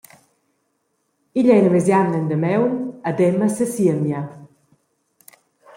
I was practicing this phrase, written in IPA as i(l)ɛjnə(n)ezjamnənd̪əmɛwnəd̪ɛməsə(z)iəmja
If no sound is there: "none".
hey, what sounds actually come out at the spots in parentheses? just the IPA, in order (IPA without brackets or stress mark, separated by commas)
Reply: ʎ, m, s